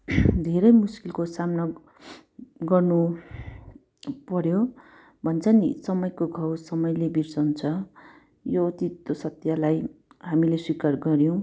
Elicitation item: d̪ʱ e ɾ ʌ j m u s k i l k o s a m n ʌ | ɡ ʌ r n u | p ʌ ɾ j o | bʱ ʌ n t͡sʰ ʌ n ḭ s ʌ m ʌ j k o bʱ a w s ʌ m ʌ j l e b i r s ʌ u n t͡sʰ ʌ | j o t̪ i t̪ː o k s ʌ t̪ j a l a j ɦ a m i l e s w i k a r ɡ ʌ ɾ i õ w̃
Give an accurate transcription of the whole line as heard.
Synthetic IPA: d̪ʱ e ɾ ʌ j m u s k i l k o s a m n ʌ | ɡ ʌ r n u | p ʌ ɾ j o | bʱ ʌ n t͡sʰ ʌ n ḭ s ʌ m ʌ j k o ɡʱ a w s ʌ m ʌ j l e b i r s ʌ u n t͡sʰ ʌ | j o t̪ i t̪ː o s ʌ t̪ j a l a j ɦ a m i l e s w i k a r ɡ ʌ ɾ j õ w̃